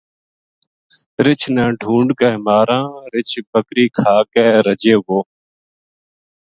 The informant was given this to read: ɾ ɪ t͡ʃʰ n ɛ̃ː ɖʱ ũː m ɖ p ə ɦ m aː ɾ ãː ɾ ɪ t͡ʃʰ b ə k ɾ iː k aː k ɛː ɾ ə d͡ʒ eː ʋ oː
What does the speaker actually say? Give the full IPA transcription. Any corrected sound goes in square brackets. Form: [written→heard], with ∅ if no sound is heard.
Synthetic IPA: ɾ ɪ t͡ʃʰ n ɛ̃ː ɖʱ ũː [m→ɳ] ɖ [p→k] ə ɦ m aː ɾ ãː ɾ ɪ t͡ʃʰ b ə k ɾ iː [k→kʰ] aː k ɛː ɾ ə d͡ʒ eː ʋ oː